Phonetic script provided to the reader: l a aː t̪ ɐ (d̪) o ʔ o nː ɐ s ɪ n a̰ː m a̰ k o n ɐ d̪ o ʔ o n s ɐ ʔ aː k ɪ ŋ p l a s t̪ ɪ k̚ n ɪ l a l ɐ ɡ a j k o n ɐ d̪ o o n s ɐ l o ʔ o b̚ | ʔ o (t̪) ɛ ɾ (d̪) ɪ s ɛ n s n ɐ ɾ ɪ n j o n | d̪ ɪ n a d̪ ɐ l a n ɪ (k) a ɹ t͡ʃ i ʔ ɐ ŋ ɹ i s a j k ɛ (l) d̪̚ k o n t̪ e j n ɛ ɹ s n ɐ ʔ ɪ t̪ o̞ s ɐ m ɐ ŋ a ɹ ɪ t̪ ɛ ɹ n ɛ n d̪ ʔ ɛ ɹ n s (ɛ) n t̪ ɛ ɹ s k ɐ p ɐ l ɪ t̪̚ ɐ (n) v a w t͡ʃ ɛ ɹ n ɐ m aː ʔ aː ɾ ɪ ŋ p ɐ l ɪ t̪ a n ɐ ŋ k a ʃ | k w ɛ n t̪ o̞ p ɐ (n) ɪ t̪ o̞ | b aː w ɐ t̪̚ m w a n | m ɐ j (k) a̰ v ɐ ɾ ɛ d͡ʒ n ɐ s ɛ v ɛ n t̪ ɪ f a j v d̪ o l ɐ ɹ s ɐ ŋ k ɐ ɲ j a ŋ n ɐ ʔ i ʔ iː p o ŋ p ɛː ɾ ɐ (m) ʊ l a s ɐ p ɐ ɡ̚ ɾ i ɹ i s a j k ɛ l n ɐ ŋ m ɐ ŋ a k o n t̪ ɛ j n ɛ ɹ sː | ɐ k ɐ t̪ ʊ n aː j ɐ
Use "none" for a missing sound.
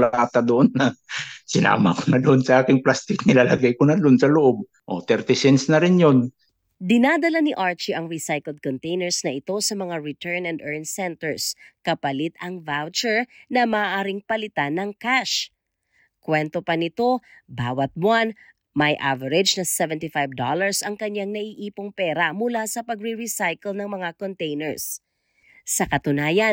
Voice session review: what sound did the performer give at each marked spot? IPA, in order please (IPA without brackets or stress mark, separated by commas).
d̪, t̪, t̪, ʔ, l, ɛ, ŋ, n, ʔ, m